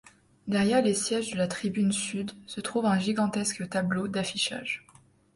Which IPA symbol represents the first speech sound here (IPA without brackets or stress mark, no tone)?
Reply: d̪